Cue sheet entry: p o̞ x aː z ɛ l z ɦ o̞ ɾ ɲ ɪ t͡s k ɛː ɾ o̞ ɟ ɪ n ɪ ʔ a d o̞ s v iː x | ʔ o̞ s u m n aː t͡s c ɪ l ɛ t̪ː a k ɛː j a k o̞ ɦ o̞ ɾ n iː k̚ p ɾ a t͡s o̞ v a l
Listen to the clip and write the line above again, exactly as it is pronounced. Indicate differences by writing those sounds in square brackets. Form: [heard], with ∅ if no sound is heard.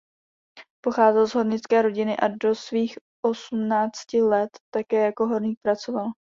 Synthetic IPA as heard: p o̞ x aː z ɛ l z ɦ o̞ ɾ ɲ ɪ t͡s k ɛː ɾ o̞ ɟ ɪ n ɪ ʔ a d o̞ s v iː x | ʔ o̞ s u m n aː t͡s c ɪ l ɛ t̪ː a k ɛː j a k o̞ ɦ o̞ ɾ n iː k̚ p ɾ a t͡s o̞ v a l